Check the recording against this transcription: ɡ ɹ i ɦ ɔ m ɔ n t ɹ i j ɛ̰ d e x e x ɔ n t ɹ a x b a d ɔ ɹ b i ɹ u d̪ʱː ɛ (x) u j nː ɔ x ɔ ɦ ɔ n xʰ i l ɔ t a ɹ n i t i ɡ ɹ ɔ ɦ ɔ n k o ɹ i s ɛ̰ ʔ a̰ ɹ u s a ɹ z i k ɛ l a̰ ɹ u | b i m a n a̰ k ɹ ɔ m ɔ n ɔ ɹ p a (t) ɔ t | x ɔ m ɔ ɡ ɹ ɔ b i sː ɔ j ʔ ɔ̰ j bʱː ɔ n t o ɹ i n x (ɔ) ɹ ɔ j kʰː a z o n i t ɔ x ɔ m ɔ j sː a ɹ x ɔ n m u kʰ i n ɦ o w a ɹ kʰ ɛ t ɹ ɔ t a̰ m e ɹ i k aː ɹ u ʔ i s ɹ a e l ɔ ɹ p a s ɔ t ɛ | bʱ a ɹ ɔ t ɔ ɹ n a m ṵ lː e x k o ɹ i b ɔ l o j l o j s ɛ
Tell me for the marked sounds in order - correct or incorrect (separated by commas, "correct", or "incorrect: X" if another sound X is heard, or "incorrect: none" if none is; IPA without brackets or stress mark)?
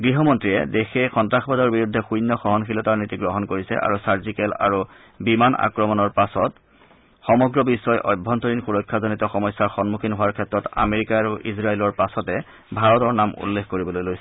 correct, incorrect: s, incorrect: u